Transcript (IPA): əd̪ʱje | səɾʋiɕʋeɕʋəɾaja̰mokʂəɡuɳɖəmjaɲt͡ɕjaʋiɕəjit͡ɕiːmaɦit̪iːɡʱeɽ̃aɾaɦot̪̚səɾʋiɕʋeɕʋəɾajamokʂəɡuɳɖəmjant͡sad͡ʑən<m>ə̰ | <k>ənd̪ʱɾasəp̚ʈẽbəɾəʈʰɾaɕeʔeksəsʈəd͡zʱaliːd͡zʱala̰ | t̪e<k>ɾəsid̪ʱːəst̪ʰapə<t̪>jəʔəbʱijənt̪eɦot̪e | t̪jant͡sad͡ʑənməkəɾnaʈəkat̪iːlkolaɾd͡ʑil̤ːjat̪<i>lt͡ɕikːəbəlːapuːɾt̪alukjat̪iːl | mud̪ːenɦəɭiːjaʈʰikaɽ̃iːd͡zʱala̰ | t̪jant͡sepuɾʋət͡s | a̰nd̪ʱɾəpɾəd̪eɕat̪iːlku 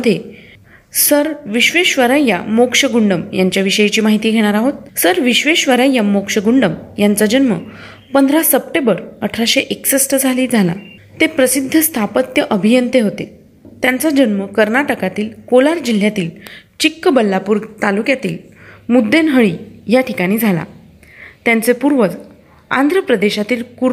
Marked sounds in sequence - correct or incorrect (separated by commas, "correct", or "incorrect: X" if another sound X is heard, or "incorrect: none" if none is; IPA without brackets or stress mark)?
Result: correct, incorrect: p, incorrect: p, correct, incorrect: iː